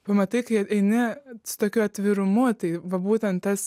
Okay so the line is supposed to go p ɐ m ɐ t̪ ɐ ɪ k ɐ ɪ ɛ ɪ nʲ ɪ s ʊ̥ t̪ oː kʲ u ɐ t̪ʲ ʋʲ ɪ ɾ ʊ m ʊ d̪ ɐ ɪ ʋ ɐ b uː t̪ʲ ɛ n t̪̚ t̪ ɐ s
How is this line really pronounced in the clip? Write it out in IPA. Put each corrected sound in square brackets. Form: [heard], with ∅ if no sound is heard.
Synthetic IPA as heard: p ɐ m ɐ t̪ ɐ ɪ k ɐ ɪ ɛ ɪ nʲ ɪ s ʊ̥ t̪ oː kʲ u ɐ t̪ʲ ʋʲ ɪ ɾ ʊ m ʊ [t̪] ɐ ɪ ʋ ɐ b uː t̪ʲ ɛ n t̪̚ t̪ ɐ s